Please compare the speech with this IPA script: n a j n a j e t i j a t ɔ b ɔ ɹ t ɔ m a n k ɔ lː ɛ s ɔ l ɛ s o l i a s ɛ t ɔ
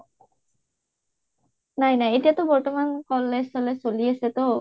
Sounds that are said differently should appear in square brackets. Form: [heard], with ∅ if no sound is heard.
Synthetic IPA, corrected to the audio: n a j n a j e t i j a t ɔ b ɔ ɹ t ɔ m a n k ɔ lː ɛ s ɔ l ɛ s o l i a s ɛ t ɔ

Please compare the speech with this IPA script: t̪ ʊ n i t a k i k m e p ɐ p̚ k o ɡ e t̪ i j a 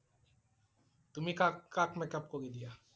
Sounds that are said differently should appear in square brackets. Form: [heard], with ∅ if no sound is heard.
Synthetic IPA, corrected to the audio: t̪ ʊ [m] i [k] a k [a] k m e [k] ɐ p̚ k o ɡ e [d̪] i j a

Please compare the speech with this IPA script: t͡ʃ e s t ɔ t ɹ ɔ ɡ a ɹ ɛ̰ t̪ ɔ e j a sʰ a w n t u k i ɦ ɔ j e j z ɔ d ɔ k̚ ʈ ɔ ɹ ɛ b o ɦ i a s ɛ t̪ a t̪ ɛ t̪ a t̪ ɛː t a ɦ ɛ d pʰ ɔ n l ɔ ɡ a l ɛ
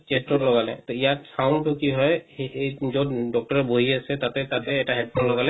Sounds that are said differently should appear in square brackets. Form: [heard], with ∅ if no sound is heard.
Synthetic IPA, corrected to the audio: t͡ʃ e s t ɔ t [l] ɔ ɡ a [l] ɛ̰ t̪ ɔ [i] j a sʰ a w n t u k i ɦ ɔ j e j z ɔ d ɔ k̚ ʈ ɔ ɹ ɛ b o ɦ i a s ɛ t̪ a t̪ ɛ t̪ a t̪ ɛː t a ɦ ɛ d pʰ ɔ n l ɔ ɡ a l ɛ

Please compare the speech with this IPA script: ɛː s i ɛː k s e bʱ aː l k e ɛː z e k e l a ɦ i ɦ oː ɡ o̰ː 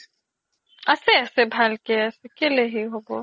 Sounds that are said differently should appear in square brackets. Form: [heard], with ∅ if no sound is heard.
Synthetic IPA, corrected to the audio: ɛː s [e] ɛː [∅] s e bʱ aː l k e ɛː [s] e k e l [e] ɦ i ɦ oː ɡ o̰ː

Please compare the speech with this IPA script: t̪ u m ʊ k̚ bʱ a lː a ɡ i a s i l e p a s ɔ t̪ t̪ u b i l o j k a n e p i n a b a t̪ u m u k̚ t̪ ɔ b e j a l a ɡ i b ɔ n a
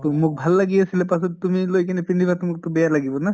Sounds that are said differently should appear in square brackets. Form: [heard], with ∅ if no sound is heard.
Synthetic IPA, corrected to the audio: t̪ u m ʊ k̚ bʱ a lː a ɡ i a s i l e p a s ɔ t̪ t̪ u [m] i l o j k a n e p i n [i] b a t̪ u m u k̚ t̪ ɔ b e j a l a ɡ i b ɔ n a

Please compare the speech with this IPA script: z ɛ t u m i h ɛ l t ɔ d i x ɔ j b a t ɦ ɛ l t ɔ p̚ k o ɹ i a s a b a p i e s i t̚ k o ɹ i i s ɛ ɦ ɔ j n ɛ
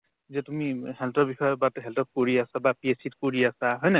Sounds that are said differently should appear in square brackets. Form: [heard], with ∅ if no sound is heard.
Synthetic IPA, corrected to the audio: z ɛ t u m i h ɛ l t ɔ [b] i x ɔ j b a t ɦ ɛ l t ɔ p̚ k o ɹ i a s a b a p i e s i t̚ k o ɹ i [a] s [a] ɦ ɔ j n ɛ

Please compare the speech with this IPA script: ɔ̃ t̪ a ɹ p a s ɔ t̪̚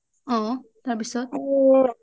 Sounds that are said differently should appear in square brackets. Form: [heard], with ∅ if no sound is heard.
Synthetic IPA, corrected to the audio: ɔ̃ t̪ a ɹ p [i] s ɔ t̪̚

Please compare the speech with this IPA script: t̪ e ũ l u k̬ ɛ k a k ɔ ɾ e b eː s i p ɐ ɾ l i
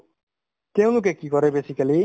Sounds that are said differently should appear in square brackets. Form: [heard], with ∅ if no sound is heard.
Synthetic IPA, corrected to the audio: t̪ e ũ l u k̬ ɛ k [i] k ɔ ɾ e b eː s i [k] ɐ [∅] l i

